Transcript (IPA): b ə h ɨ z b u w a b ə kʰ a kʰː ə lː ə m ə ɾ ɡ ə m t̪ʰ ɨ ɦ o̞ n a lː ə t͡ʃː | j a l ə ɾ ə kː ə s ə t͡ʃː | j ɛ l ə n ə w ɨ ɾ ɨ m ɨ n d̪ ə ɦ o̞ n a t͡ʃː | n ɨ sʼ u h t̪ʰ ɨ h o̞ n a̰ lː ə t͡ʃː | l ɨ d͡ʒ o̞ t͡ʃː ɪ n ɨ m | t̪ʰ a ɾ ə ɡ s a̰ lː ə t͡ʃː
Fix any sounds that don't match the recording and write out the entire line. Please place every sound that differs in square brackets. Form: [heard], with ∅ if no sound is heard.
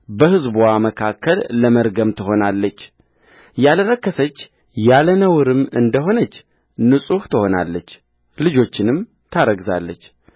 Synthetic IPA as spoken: b ə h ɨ z b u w a [m] ə kʰ a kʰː ə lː ə m ə ɾ ɡ ə m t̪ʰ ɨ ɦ o̞ n a lː ə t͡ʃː | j a l ə ɾ ə kː ə s ə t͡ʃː | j [a] l ə n ə w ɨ ɾ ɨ m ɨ n d̪ ə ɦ o̞ n [ə] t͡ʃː | n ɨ sʼ u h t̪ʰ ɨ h o̞ n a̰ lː ə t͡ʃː | l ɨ d͡ʒ o̞ t͡ʃː ɪ n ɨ m | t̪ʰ a ɾ ə ɡ [z] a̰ lː ə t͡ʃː